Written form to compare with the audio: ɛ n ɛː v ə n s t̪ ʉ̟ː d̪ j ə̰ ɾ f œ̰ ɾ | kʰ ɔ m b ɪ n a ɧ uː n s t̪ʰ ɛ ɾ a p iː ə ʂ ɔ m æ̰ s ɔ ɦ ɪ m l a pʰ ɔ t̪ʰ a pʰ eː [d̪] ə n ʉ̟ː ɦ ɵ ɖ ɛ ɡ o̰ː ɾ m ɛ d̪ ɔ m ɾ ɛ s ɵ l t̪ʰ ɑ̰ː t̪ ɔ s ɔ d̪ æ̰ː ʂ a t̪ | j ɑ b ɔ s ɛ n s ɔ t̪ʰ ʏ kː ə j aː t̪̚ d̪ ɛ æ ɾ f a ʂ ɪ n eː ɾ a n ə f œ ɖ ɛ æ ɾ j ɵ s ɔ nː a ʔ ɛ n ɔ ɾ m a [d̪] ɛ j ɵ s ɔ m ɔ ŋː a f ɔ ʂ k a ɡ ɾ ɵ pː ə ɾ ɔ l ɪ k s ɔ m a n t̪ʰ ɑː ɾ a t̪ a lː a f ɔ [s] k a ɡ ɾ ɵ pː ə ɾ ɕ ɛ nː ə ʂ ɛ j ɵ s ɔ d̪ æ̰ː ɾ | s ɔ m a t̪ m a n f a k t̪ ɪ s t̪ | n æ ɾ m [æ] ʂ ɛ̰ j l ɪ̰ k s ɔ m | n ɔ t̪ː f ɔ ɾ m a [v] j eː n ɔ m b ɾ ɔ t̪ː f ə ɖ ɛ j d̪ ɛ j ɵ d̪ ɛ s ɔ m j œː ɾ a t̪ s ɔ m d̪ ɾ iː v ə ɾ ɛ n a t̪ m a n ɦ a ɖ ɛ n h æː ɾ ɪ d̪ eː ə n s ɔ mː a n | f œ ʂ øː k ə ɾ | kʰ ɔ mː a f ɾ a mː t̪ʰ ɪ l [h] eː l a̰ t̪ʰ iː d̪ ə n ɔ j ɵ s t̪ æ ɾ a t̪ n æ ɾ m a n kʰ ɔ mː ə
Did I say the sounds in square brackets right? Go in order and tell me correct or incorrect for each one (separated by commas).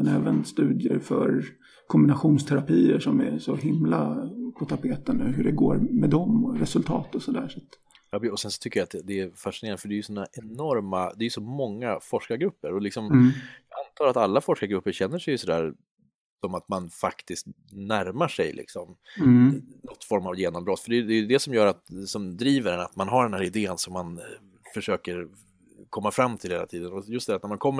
incorrect, correct, incorrect, incorrect, correct, correct